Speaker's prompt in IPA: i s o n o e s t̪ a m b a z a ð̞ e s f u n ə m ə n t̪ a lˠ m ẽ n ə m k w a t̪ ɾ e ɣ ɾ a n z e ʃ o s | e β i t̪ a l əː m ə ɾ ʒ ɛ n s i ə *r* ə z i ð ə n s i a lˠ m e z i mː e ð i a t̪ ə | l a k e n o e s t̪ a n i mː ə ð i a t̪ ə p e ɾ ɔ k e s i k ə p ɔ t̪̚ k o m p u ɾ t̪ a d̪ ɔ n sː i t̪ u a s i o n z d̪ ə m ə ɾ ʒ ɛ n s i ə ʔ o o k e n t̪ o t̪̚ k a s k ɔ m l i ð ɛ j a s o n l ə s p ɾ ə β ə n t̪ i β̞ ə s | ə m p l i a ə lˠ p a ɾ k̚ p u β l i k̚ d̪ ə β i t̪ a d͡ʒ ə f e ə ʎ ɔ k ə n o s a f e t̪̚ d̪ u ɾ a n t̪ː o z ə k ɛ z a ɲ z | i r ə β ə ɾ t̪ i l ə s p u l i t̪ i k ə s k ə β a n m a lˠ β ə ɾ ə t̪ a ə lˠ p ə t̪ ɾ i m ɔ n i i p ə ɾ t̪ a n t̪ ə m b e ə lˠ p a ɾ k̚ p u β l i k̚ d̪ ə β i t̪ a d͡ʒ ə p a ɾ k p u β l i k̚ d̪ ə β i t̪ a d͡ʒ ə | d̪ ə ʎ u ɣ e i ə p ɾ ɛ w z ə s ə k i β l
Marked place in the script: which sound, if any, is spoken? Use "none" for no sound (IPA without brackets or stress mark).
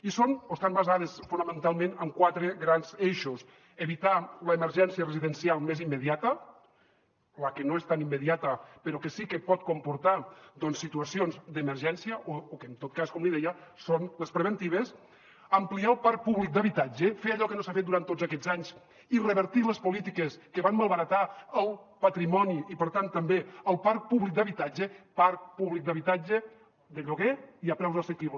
r